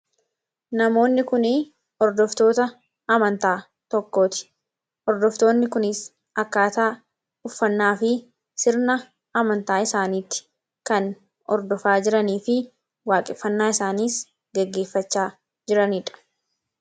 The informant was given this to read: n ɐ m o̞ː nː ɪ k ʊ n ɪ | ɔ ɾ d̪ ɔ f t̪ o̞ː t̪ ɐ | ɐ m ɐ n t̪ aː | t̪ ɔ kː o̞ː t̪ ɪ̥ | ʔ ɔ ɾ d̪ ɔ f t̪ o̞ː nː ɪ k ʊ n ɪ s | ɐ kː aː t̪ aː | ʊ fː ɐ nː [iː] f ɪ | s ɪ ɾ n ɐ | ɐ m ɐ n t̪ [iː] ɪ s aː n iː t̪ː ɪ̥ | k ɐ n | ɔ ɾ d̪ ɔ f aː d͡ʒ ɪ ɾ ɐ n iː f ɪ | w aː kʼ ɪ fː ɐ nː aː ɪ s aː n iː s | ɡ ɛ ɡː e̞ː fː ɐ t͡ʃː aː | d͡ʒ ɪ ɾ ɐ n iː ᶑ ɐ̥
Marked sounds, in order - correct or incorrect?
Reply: incorrect: aː, incorrect: aː

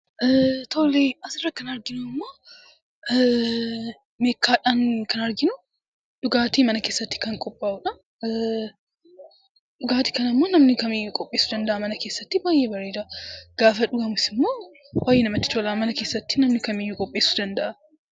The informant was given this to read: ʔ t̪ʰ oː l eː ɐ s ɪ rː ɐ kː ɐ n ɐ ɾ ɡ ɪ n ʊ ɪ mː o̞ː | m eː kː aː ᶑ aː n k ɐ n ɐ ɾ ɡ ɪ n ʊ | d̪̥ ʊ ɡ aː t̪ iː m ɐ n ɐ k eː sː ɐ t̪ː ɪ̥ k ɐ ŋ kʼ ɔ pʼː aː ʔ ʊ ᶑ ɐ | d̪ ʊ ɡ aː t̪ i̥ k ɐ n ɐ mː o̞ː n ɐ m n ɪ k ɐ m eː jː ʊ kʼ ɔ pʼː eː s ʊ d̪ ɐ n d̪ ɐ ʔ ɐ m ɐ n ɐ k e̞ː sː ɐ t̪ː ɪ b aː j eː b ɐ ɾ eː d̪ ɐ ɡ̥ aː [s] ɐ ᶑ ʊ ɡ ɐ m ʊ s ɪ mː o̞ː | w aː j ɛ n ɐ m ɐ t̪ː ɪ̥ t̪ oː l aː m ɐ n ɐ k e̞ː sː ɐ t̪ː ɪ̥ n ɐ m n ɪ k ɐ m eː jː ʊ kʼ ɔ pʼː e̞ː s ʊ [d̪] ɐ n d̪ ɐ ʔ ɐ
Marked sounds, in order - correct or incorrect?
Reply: incorrect: f, correct

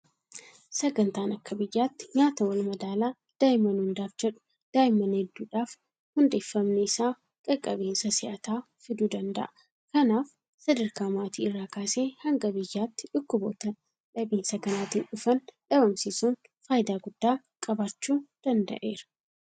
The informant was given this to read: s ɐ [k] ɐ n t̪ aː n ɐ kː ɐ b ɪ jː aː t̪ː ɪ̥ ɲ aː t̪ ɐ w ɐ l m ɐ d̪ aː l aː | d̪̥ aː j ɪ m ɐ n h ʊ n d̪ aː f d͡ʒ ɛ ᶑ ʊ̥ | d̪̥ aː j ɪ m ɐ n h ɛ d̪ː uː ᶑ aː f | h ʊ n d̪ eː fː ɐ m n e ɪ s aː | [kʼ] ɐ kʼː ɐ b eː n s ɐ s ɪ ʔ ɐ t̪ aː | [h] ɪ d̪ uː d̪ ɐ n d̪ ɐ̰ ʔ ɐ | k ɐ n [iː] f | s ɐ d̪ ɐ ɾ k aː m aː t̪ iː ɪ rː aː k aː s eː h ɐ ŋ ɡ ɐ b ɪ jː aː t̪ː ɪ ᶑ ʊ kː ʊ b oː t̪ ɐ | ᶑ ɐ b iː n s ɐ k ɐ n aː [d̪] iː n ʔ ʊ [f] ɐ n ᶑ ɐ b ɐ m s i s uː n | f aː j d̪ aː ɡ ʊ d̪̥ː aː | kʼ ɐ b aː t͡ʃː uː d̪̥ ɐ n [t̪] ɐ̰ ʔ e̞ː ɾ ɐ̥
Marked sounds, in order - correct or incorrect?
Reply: incorrect: ɡ, correct, incorrect: f, incorrect: aː, incorrect: t̪, correct, incorrect: d̪

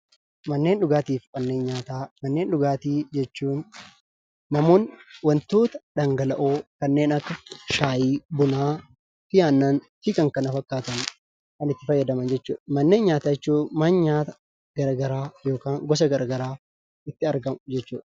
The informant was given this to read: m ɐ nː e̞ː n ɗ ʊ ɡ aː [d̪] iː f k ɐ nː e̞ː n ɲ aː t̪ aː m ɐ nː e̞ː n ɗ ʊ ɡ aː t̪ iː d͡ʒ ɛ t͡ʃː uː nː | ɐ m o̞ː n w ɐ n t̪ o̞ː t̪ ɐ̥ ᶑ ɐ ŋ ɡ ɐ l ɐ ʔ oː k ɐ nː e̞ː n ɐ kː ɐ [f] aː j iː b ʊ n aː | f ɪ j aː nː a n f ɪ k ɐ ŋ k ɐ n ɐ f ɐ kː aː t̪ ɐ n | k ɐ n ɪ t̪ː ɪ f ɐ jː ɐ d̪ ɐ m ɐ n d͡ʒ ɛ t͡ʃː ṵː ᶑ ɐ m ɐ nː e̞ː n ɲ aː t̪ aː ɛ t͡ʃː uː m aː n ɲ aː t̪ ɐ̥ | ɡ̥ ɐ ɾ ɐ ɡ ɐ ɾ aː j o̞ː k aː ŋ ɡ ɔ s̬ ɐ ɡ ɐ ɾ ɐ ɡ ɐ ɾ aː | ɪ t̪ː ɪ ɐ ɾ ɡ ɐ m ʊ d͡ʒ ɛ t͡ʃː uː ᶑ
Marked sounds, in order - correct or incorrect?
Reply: incorrect: t̪, incorrect: ʃ

